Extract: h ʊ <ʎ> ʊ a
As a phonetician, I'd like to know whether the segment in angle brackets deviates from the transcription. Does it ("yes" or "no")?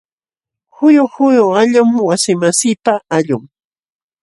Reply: yes